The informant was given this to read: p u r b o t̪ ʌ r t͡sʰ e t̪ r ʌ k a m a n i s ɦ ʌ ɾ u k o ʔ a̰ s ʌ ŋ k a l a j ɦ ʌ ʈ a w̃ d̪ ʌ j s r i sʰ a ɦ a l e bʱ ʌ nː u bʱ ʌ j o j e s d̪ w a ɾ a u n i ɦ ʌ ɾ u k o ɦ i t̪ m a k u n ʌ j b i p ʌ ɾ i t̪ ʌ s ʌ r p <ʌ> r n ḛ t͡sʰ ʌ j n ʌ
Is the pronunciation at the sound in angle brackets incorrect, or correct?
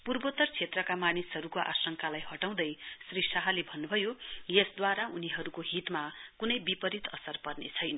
correct